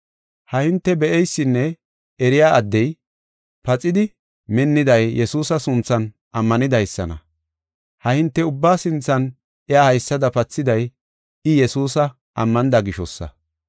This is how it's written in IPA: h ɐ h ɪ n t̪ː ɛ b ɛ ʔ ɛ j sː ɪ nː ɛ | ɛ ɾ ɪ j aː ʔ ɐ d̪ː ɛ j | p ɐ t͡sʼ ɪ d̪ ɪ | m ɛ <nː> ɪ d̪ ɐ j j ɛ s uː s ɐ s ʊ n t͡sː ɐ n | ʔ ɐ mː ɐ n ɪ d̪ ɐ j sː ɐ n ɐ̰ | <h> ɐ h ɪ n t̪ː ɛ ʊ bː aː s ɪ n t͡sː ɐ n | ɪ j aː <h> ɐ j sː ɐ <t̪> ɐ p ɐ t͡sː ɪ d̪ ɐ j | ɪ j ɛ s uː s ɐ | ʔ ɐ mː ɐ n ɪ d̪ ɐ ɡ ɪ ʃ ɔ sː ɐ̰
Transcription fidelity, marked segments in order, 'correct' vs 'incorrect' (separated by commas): correct, correct, correct, incorrect